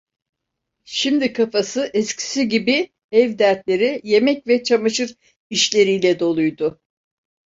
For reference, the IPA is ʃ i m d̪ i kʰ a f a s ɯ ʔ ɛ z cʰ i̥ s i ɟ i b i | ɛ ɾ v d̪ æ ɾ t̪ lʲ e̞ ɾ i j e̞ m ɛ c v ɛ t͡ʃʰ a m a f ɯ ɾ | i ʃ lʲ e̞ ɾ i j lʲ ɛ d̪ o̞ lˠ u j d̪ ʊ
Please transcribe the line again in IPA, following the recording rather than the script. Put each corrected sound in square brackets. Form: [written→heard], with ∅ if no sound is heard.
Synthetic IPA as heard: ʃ i m d̪ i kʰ a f a s ɯ ʔ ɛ [z→s] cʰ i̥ s i ɟ i b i | ɛ [ɾ→∅] v d̪ æ ɾ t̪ lʲ e̞ ɾ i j e̞ m ɛ c v ɛ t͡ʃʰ a m a [f→ʃ] ɯ ɾ | i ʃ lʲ e̞ ɾ i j lʲ ɛ d̪ o̞ lˠ u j d̪ ʊ